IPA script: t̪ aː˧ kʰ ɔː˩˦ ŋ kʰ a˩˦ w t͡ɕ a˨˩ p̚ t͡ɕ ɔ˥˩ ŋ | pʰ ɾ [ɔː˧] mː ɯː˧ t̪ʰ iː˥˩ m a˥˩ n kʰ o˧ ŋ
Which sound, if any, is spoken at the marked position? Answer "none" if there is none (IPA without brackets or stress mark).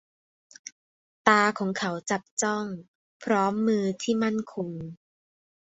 ɔː˦˥